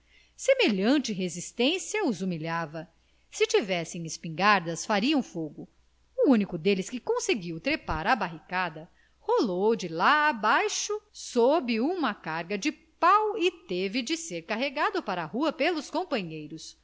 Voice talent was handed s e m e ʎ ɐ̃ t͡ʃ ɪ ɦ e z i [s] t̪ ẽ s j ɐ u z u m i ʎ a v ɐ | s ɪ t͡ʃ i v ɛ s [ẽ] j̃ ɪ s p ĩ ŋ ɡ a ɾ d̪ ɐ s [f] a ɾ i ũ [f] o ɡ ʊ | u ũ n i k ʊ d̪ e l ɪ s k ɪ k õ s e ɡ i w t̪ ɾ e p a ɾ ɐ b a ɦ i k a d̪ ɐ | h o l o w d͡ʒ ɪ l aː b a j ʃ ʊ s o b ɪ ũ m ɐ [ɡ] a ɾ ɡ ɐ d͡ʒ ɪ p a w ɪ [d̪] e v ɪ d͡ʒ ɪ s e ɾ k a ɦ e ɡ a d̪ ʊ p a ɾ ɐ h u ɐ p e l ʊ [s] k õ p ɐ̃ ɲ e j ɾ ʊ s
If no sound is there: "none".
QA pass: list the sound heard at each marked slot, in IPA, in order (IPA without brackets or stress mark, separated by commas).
s, ẽ, f, f, k, t̪, s